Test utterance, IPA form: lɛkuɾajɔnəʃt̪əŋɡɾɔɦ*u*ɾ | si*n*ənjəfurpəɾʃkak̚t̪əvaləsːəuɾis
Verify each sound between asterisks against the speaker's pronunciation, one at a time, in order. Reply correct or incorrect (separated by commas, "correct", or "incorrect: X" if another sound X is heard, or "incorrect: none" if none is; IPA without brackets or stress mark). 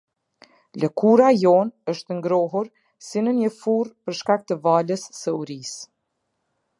correct, correct